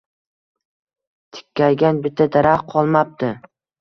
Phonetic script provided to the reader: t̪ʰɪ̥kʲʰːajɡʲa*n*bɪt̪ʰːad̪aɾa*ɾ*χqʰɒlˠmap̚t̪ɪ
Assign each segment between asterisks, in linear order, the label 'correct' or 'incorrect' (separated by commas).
correct, incorrect